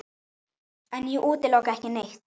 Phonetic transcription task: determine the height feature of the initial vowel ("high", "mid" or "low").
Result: low